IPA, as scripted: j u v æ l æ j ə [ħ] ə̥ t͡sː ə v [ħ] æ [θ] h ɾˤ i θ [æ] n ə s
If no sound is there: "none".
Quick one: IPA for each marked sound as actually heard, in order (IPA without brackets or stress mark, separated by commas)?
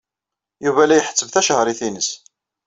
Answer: ħ, θ, ʃ, i